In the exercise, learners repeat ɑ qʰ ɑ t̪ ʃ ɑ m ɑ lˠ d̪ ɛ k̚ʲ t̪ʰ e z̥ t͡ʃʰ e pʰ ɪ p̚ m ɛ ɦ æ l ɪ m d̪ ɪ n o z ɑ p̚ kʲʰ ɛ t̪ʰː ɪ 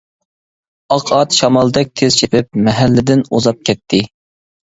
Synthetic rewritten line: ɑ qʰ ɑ t̪ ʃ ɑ m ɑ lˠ d̪ ɛ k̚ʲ t̪ʰ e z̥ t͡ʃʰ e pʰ ɪ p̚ m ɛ ɦ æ lː ɪ d̪ ɪ n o z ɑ p̚ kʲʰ ɛ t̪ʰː ɪ

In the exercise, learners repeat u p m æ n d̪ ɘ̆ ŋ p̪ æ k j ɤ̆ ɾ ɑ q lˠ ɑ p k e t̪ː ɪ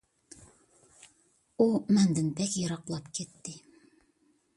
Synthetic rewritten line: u m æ n d̪ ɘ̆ n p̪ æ k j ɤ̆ ɾ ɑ q lˠ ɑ p k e t̪ː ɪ

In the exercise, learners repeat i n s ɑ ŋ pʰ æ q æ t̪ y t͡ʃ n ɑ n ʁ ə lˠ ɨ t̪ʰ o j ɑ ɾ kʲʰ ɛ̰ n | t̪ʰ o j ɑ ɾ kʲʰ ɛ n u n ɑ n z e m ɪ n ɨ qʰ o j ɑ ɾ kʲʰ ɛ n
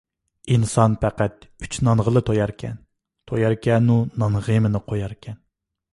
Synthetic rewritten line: i n s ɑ n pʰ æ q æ t̪ y t͡ʃ n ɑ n ʁ ə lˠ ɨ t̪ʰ o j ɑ ɾ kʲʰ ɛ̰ n | t̪ʰ o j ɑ ɾ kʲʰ ɛ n u n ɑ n ʁ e m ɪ n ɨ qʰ o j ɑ ɾ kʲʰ ɛ n

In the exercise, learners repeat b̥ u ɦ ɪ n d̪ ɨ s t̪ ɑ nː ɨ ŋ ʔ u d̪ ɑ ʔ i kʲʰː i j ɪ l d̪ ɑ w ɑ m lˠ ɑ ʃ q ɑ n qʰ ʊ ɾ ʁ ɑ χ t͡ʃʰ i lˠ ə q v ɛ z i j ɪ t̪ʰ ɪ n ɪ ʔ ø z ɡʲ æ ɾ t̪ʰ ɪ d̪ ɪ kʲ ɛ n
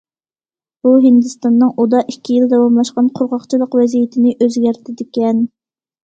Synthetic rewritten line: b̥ u ɦ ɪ n d̪ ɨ s t̪ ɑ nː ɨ ŋ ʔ u d̪ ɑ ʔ i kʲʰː i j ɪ l d̪ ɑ w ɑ m lˠ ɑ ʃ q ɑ n qʰ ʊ ɾ ʁ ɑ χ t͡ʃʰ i lˠ ə q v ɛ z i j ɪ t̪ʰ ɪ n ɪ ʔ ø z ɡʲ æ ɾ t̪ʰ ɪ d̪ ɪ kʲ ɛ n

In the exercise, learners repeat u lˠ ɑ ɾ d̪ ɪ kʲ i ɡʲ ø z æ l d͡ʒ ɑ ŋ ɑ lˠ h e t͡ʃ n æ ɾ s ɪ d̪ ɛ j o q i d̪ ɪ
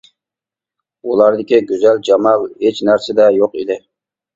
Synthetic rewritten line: u lˠ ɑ ɾ d̪ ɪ kʲ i ɡʲ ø z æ l d͡ʒ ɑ m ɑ lˠ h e t͡ʃ n æ ɾ s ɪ d̪ ɛ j o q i d̪ ɪ

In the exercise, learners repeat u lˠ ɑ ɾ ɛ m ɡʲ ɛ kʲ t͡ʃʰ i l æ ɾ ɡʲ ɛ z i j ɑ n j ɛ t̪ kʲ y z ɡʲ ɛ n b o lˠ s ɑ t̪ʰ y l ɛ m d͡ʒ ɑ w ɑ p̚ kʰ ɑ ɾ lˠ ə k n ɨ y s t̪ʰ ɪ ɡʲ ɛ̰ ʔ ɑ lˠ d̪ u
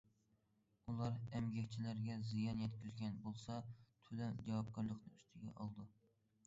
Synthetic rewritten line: u lˠ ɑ ɾ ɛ m ɡʲ ɛ kʲ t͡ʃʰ i l æ ɾ ɡʲ ɛ z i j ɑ n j ɛ t̪ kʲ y z ɡʲ ɛ n b o lˠ s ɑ t̪ʰ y l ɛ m d͡ʒ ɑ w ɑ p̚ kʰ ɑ ɾ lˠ ə q n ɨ y s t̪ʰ ɪ ɡʲ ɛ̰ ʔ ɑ lˠ d̪ u

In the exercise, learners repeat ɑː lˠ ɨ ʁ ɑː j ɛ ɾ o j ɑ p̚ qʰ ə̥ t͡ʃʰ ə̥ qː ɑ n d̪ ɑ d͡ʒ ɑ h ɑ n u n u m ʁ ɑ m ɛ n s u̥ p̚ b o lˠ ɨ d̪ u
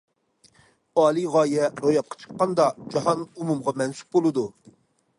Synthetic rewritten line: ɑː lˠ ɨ ʁ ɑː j ɛ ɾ o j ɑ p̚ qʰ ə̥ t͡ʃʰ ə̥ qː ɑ n d̪ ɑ d͡ʒ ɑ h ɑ n u m u m ʁ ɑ m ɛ n s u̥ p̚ b o lˠ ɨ d̪ u

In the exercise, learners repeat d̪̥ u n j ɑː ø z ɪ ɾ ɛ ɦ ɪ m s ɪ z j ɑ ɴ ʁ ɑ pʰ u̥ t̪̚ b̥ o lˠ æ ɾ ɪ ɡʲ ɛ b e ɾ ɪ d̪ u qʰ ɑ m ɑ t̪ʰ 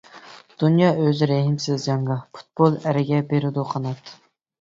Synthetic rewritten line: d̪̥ u n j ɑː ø z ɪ ɾ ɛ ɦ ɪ m s ɪ z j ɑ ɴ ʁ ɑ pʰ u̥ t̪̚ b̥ o lˠ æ ɾ ɪ ɡʲ ɛ b e ɾ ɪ d̪ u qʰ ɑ n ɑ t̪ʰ

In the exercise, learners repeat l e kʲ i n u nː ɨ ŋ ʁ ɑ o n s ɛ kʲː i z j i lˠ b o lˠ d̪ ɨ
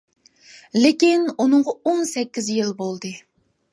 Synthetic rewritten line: l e kʲ i n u n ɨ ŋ ʁ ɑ o n s ɛ kʲː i z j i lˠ b o lˠ d̪ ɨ

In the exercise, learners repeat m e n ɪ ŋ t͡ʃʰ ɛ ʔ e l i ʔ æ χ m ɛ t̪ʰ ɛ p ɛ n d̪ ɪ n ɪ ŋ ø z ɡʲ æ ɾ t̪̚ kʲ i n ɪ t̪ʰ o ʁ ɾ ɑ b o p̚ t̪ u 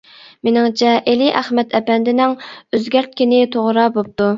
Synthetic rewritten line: m e n ɪ ŋ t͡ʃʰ ɛ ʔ e l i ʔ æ χ m ɛ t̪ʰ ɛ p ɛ n d̪ ɪ n ɪ ŋ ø z ɡʲ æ ɾ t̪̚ kʲ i n ɪ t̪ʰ o ʁ ɾ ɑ b o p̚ t̪ u

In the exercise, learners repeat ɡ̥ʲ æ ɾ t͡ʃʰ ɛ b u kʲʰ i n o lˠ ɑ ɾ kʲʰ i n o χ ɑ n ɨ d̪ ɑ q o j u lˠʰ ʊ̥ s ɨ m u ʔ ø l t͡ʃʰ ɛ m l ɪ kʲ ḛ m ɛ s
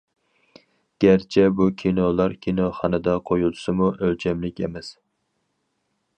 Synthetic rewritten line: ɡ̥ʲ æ ɾ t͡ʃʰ ɛ b u kʲʰ i n o lˠ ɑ ɾ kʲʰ i n o χ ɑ n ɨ d̪ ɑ qʰ o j u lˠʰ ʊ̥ s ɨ m u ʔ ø l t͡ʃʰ ɛ m l ɪ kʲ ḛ m ɛ s

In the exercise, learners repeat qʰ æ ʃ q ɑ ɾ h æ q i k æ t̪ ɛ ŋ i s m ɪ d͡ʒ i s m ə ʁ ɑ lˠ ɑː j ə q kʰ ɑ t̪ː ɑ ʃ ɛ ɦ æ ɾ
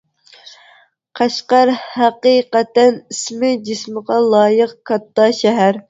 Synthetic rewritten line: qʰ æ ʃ q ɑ ɾ h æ q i q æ t̪ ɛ n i s m ɪ d͡ʒ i s m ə ʁ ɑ lˠ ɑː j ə q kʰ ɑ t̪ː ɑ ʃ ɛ ɦ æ ɾ

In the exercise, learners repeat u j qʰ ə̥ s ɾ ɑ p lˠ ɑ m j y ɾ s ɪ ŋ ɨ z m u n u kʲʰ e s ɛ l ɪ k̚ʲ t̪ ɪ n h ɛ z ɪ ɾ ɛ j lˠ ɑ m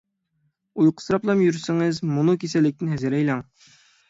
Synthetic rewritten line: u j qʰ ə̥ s ɾ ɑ p lˠ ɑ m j y ɾ s ɪ ŋ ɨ z m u n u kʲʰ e s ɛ l ɪ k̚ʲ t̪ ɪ n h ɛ z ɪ ɾ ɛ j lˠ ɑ ŋ

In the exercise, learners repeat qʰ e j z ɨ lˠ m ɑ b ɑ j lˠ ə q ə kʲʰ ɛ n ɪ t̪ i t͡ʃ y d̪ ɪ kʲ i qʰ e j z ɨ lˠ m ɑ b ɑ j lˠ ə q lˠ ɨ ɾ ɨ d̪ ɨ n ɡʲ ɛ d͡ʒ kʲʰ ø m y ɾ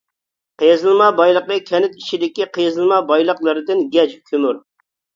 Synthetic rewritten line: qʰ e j z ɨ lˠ m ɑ b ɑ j lˠ ə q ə kʲʰ ɛ n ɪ t̪ i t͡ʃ i d̪ ɪ kʲ i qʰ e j z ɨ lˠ m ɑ b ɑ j lˠ ə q lˠ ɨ ɾ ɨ d̪ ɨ n ɡʲ ɛ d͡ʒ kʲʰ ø m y ɾ

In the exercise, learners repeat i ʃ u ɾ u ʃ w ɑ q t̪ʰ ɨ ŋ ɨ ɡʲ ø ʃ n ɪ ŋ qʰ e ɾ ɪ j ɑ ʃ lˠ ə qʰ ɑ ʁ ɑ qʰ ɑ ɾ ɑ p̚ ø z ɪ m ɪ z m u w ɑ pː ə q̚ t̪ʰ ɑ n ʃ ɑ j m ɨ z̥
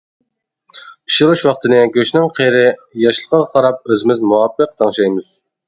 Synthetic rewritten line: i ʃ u ɾ u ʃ w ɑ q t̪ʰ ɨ n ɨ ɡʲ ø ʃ n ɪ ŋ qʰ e ɾ ɪ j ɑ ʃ lˠ ə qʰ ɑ ʁ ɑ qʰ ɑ ɾ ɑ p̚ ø z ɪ m ɪ z m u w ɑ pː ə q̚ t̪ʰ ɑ ŋ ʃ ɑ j m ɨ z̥

